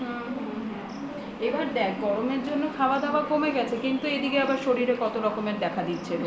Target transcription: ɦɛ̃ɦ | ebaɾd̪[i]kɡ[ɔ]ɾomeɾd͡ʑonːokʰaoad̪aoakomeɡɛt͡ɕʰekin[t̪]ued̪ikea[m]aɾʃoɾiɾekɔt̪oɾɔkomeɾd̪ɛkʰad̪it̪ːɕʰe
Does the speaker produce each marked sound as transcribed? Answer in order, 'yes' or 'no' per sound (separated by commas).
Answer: no, yes, yes, no